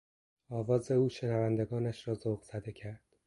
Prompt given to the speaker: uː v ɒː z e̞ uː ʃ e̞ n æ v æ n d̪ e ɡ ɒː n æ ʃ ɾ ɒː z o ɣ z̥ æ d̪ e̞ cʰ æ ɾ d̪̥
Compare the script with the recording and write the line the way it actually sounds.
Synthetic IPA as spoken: ɒː v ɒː z e̞ uː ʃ e̞ n æ v æ n d̪ e ɡ ɒː n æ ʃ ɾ ɒː z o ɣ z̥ æ d̪ e̞ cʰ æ ɾ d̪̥